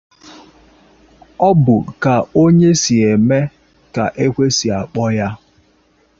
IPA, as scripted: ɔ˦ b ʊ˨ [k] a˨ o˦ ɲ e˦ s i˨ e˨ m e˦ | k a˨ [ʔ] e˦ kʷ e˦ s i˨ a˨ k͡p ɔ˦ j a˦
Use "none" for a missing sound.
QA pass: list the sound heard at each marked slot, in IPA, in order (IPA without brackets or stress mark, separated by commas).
k, ʔ